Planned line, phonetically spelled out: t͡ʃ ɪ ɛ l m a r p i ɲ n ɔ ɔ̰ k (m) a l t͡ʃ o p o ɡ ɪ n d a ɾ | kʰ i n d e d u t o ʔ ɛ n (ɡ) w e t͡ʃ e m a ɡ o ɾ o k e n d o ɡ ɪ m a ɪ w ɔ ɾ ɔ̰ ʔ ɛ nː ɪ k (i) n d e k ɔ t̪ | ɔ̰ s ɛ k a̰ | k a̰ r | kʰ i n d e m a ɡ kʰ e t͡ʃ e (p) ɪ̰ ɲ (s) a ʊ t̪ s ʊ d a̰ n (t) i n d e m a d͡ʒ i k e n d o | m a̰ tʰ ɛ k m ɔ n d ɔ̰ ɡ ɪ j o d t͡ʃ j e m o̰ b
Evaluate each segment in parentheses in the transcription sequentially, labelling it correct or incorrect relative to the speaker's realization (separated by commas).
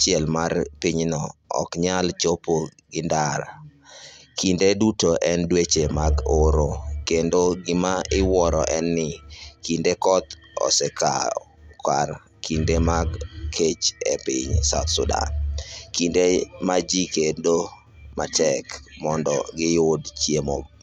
incorrect, incorrect, correct, correct, correct, incorrect